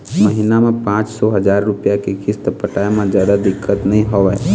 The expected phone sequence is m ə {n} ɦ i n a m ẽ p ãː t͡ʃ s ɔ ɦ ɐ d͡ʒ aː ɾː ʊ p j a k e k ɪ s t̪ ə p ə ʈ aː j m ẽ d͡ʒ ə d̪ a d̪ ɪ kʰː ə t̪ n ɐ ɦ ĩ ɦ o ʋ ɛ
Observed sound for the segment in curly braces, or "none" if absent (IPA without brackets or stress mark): none